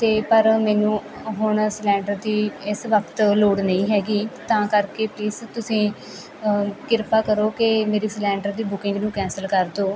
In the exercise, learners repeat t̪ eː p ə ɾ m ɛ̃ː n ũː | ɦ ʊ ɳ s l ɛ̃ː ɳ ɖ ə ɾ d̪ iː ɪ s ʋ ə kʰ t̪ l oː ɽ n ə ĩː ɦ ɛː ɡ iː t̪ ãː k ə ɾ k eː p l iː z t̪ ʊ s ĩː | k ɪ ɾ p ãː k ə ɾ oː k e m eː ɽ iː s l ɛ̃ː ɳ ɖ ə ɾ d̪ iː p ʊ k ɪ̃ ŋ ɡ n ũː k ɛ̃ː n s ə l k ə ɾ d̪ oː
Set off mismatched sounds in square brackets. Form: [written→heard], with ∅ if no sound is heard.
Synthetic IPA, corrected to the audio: t̪ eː p ə ɾ m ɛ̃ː n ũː | ɦ ʊ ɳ s l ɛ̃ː ɳ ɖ ə ɾ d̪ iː ɪ s ʋ ə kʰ t̪ l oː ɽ n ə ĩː ɦ ɛː ɡ iː t̪ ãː k ə ɾ k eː p l iː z t̪ ʊ s ĩː | k ɪ ɾ p [ãː→aː] k ə ɾ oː k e m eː [ɽ→ɾ] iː s l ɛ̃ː ɳ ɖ ə ɾ d̪ iː [p→b] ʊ k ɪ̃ ŋ ɡ n ũː k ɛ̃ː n s ə l k ə ɾ d̪ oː